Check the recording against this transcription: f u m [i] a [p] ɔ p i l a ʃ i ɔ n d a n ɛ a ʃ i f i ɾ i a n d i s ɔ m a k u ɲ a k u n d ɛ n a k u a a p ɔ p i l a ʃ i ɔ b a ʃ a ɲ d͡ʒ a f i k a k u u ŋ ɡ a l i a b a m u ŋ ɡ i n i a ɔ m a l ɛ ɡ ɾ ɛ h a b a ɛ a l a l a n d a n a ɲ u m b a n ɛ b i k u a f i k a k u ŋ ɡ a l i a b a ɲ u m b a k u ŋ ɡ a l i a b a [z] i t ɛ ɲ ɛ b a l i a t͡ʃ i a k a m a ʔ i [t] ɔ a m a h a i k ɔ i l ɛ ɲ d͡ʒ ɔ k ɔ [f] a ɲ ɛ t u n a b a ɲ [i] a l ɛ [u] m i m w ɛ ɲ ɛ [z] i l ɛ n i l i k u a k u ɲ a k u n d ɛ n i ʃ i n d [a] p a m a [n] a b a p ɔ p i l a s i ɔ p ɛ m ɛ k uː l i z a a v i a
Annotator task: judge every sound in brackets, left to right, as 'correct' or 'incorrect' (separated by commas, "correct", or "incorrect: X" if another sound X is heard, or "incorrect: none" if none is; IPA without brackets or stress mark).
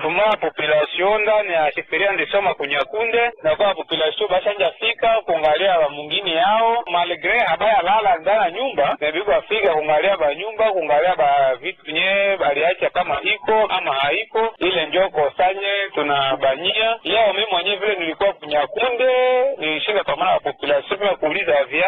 incorrect: a, correct, incorrect: v, incorrect: k, incorrect: s, correct, incorrect: ɔ, incorrect: v, correct, correct